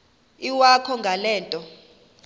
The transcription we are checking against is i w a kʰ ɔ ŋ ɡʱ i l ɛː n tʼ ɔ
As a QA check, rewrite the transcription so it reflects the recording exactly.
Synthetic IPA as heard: i w a kʰ ɔ ŋ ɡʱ a l ɛː n tʼ ɔ